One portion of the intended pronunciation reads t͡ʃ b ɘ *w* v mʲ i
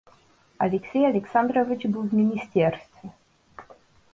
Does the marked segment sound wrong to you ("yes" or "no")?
no